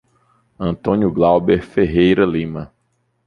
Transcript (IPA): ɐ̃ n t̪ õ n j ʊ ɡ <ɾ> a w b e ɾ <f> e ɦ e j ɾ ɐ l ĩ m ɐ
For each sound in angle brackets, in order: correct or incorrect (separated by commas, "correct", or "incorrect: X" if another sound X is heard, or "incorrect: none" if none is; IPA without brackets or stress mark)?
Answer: incorrect: l, correct